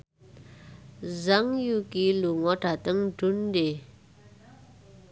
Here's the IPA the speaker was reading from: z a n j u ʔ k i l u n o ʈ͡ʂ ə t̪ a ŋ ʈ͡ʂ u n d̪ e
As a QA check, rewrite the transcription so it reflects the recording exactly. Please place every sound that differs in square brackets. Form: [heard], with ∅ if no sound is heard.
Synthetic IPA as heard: z a [ŋ] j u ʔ k i l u [ŋ] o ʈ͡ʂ [a] t̪ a ŋ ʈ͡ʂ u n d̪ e